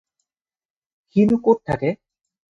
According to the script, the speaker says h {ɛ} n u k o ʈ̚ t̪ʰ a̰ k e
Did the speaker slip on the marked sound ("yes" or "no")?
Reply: yes